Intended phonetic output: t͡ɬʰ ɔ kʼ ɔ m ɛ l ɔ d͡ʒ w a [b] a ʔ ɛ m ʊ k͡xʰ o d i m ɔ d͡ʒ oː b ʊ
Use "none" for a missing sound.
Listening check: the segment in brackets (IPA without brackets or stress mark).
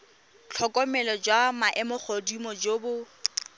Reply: m